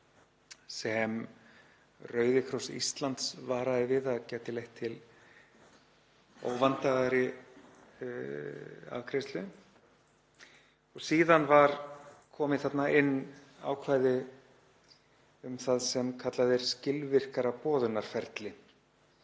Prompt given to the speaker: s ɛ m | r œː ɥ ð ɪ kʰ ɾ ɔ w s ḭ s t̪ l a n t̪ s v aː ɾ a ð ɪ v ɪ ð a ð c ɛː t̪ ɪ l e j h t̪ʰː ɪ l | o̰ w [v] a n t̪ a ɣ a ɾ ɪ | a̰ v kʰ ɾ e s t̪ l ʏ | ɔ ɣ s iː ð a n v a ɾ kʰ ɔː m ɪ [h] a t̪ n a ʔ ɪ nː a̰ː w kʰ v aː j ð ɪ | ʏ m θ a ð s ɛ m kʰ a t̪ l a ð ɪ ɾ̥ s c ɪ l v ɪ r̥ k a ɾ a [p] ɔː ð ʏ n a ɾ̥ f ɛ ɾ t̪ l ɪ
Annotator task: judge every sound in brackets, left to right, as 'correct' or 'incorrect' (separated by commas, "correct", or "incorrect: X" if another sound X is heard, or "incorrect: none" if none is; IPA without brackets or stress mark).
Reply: correct, incorrect: θ, correct